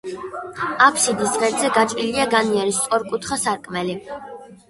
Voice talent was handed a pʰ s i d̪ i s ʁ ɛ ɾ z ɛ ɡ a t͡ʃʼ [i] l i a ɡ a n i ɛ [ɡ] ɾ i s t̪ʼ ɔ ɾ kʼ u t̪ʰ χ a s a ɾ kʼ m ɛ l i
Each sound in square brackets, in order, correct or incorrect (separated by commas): correct, incorrect